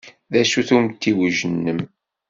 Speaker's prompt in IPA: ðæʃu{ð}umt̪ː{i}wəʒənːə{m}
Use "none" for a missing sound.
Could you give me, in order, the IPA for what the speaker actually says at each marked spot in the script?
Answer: θ, i, m

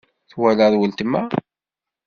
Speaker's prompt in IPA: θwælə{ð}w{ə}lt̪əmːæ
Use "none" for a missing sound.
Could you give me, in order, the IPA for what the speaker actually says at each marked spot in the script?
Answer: ð, ə

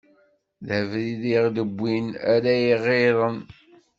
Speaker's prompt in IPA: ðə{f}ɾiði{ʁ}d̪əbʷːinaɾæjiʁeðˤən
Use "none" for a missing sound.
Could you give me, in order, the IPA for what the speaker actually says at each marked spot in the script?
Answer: v, ʁ

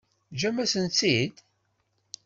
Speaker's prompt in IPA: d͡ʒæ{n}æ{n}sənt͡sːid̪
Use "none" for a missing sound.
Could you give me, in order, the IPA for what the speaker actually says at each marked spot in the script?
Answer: m, none

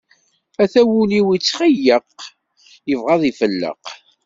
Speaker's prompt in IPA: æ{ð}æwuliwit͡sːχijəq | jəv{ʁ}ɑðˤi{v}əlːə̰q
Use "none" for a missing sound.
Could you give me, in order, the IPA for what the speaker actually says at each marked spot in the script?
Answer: θ, ʁ, f

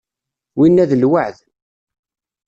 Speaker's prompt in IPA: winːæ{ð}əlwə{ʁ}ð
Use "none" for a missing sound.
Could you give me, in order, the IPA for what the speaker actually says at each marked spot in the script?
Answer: ð, ʕ

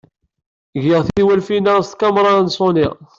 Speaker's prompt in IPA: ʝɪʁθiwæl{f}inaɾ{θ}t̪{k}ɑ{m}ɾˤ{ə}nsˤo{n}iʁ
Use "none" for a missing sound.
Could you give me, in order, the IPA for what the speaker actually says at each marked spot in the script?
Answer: f, s, k, m, ɑ, n

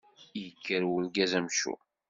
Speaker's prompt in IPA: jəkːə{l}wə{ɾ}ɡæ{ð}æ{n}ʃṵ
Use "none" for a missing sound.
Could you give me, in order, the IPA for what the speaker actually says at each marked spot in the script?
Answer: ɾ, l, z, m

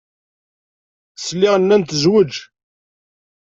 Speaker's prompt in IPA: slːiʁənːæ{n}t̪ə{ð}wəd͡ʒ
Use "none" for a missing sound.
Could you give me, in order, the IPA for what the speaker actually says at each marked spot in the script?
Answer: n, z

